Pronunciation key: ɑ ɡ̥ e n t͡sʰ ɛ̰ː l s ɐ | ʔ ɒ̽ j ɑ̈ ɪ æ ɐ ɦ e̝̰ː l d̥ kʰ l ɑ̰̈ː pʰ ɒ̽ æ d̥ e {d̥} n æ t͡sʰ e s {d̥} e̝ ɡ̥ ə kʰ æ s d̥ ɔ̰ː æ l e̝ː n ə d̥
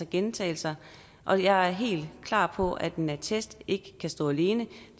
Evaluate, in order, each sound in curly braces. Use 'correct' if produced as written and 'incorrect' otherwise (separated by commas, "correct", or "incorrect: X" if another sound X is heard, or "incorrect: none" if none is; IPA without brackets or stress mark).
incorrect: none, correct